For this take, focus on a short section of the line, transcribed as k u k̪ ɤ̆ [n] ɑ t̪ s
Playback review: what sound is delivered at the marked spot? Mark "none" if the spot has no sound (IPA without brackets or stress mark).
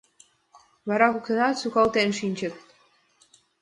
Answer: n